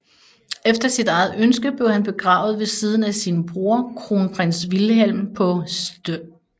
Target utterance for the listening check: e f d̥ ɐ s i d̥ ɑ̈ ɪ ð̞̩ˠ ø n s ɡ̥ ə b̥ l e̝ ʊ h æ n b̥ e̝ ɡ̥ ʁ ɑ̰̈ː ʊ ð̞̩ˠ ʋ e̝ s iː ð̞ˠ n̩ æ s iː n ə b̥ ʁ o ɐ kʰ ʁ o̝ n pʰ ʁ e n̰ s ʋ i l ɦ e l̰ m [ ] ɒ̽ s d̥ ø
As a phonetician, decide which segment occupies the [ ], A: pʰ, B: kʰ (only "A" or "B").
A